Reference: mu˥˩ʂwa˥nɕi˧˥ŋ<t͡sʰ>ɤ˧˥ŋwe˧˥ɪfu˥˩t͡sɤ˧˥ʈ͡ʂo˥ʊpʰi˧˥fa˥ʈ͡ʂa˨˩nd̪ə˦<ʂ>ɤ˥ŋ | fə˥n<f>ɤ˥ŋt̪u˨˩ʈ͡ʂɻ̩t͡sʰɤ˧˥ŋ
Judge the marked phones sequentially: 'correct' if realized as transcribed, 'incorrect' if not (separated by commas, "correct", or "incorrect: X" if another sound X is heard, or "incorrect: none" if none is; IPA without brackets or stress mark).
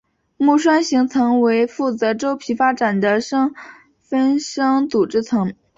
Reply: correct, correct, incorrect: ʂ